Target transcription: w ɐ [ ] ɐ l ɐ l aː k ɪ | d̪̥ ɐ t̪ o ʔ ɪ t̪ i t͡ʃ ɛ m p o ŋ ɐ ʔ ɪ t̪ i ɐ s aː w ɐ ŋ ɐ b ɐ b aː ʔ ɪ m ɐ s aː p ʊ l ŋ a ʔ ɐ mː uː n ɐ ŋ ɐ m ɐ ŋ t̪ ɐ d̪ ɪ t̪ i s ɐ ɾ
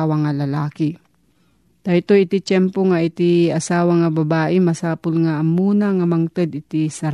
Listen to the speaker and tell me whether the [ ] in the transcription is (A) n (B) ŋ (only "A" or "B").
B